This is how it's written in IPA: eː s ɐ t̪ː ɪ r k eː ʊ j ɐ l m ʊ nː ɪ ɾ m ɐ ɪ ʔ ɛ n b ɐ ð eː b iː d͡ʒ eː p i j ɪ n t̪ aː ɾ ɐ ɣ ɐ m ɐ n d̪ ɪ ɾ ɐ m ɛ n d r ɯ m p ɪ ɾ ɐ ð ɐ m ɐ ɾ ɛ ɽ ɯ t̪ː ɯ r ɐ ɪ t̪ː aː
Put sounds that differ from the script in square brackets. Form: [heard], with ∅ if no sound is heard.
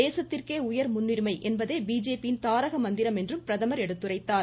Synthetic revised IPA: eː s ɐ t̪ː ɪ r k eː ʊ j ɐ [ɾ] m ʊ nː ɪ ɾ m ɐ ɪ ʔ ɛ n b ɐ ð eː b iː d͡ʒ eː p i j ɪ n t̪ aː ɾ ɐ ɣ ɐ m ɐ n d̪ ɪ ɾ ɐ m ɛ n d r ɯ m p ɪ ɾ ɐ ð ɐ m ɐ ɾ ɛ ɽ ɯ t̪ː ɯ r ɐ ɪ t̪ː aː